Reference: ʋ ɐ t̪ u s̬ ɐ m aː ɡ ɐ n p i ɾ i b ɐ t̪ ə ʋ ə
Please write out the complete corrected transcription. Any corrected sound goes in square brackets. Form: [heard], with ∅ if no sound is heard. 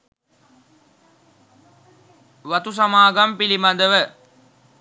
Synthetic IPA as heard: ʋ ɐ t̪ u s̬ ɐ m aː ɡ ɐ [m] p i [l] i [m] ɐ [d̪] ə ʋ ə

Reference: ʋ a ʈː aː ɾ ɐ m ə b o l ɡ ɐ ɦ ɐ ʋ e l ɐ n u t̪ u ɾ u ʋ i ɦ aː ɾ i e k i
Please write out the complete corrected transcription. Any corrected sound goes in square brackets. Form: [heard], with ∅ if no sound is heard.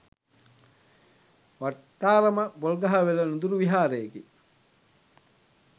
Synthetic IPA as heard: ʋ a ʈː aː ɾ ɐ m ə b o l ɡ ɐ ɦ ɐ ʋ e l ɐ n u [d̪] u ɾ u ʋ i ɦ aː ɾ [e] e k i

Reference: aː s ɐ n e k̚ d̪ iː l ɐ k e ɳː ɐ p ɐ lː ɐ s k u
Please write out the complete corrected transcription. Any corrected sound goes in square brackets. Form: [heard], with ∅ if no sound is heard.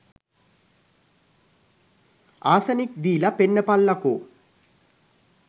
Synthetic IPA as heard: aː s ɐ n [i] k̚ d̪ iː l ɐ [p] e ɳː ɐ p ɐ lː ɐ [∅] k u

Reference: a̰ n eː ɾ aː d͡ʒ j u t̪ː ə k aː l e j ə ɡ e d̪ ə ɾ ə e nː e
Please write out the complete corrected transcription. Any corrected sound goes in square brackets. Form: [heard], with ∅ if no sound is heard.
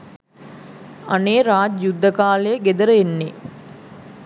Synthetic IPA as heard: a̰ n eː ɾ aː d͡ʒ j u [d̪ː] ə k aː l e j ə ɡ e d̪ ə ɾ ə e nː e

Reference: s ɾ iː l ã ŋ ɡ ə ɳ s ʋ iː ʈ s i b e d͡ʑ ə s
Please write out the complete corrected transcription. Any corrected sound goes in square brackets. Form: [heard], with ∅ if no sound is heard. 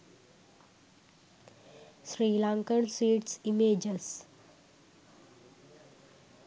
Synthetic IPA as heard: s ɾ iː l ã ŋ [k] ə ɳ s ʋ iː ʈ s i [m] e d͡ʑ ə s

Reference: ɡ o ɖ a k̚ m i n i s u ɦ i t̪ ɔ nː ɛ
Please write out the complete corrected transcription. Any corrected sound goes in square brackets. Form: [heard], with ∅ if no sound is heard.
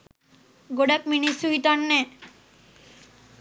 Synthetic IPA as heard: ɡ o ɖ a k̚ m i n i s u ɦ i t̪ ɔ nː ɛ

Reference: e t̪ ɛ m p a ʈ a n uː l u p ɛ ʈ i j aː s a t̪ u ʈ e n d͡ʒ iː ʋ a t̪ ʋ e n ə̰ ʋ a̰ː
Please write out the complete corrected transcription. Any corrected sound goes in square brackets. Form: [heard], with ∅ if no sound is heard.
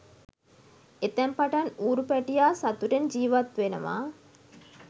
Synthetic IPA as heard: e t̪ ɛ m p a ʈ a n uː [ɾ] u p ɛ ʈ i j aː s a t̪ u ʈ e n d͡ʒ iː ʋ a t̪ ʋ e n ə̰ ʋ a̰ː

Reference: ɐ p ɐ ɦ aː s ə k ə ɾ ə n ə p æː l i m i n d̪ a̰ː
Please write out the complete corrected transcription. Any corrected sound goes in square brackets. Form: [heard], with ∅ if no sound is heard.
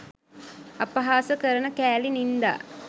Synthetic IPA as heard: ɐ p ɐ ɦ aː s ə k ə ɾ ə n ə [k] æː l i [n] i n d̪ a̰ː

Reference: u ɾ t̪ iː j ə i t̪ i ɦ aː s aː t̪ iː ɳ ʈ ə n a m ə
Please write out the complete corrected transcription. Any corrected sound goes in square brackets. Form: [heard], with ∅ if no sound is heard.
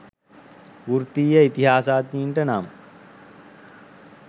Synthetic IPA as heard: u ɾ t̪ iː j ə i t̪ i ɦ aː s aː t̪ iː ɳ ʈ ə n a m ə

